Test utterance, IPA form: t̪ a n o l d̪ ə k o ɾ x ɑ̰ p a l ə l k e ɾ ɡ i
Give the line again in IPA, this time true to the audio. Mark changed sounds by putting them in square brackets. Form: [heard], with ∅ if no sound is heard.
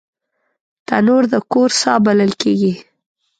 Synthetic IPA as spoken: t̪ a n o [ɾ] d̪ ə k o ɾ [s] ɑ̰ [b] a l ə l k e [∅] ɡ i